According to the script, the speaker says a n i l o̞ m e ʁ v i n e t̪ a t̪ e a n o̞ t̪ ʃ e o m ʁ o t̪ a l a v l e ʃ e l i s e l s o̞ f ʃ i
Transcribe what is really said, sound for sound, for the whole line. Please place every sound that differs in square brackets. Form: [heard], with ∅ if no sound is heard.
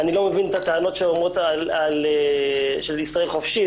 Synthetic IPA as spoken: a n i l o̞ m e [∅] v i n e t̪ a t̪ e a n o̞ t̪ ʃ e o m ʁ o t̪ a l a [∅] l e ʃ e l i s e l [χ] o̞ f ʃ i